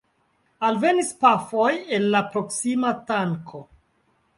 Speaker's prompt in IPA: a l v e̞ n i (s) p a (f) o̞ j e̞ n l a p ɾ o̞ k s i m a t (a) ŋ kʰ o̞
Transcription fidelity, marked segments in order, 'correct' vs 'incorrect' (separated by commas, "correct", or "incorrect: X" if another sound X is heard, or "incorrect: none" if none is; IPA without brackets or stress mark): correct, correct, correct